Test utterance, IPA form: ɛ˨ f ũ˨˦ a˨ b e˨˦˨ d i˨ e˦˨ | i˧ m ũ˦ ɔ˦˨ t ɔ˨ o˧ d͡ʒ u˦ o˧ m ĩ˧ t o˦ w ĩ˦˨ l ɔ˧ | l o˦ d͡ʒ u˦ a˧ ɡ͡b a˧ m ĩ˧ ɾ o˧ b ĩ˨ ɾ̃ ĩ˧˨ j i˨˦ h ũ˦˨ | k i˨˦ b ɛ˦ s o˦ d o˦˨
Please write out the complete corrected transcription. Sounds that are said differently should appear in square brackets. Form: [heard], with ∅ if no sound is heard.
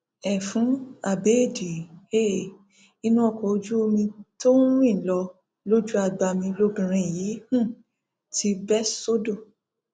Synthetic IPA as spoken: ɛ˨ f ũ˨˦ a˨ b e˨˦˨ d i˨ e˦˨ | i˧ [n] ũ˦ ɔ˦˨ [k] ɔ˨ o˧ d͡ʒ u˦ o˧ m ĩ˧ t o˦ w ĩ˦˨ l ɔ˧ | l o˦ d͡ʒ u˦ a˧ ɡ͡b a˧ m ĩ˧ [l] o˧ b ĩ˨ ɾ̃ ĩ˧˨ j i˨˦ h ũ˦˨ | [t] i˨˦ b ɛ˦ s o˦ d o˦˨